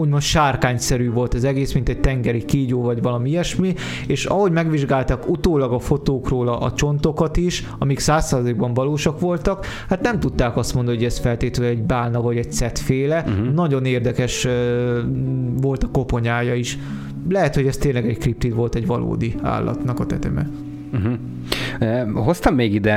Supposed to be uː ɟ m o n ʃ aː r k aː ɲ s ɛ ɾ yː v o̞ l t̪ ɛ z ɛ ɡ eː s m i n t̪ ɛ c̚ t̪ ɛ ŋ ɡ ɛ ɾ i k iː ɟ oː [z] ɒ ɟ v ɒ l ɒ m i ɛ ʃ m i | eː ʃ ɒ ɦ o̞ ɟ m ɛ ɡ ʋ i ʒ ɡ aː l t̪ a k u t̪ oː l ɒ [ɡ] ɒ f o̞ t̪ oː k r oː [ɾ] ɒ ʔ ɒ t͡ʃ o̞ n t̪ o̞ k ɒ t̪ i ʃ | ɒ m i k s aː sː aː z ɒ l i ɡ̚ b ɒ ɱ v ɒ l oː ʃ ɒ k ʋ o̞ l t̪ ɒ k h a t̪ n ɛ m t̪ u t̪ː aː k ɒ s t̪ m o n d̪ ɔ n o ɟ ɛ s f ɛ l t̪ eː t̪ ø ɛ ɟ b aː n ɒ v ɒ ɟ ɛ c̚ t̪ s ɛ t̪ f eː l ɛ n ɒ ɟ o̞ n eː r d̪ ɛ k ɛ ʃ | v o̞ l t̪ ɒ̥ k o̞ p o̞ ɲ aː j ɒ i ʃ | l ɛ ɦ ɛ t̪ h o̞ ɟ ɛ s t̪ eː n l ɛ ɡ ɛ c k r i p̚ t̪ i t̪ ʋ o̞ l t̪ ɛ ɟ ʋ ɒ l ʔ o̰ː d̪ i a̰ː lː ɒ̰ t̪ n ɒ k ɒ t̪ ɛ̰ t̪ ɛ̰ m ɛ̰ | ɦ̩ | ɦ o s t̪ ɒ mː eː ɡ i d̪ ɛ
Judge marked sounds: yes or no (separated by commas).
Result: no, yes, no